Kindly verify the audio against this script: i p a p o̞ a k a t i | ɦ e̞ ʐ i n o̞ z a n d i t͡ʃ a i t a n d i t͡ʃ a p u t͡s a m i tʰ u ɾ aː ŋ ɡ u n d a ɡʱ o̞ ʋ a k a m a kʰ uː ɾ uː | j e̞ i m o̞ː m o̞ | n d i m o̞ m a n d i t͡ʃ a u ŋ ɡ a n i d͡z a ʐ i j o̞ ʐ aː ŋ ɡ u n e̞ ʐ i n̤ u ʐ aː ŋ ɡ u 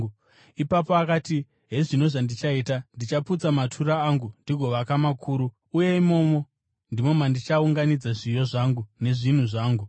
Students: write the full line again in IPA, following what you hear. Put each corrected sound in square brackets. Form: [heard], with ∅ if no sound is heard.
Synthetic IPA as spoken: i p a p o̞ a k a t i | ɦ e̞ ʐ i n o̞ [ʐ] a n d i t͡ʃ a i t a n d i t͡ʃ a p u t͡s a m [a] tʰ u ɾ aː ŋ ɡ u n d [i] ɡʱ o̞ ʋ a k a m a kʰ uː ɾ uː | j e̞ i m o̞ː m o̞ | n d i m o̞ m a n d i t͡ʃ a u ŋ ɡ a n i d͡z a ʐ i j o̞ ʐ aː ŋ ɡ u n e̞ ʐ i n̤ u ʐ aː ŋ ɡ u